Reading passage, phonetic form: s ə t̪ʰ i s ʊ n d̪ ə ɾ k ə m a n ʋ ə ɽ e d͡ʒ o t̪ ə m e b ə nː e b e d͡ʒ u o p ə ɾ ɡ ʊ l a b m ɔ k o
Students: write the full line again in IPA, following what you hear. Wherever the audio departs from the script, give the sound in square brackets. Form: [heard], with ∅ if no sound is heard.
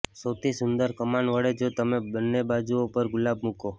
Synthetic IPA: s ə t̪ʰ i s ʊ n d̪ ə ɾ k ə m a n ʋ ə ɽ e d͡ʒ o t̪ ə m e b ə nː e b [a] d͡ʒ u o p ə ɾ ɡ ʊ l a b m [u] k o